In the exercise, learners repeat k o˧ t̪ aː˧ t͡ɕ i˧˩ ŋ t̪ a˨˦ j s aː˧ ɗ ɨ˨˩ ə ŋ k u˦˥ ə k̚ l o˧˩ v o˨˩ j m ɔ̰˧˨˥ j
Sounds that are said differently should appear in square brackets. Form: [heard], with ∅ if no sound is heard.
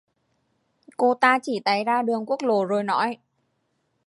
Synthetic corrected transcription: k o˧ t̪ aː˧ t͡ɕ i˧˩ [∅] t̪ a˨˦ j [z] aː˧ ɗ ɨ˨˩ ə ŋ k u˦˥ ə k̚ l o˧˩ [z] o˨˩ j [n] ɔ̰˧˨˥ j